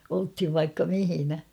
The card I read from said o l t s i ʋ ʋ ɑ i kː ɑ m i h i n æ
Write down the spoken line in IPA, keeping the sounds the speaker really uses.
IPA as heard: o l t h i ʋ ʋ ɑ i kː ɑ m i h i n æ